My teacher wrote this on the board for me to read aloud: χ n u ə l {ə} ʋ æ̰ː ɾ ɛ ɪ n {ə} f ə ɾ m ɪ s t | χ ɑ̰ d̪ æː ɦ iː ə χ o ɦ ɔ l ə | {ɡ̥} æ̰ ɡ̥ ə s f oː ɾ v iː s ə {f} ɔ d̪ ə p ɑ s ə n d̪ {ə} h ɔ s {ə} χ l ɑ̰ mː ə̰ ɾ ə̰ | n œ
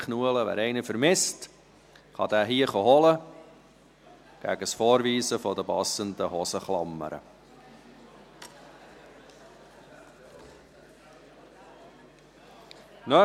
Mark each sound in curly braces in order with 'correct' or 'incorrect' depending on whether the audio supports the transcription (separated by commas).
correct, correct, correct, correct, correct, correct